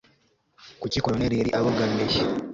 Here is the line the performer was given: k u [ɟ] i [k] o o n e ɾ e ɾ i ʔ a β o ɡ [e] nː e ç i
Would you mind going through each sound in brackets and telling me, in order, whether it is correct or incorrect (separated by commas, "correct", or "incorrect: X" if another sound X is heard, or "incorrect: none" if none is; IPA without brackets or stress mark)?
incorrect: c, correct, incorrect: a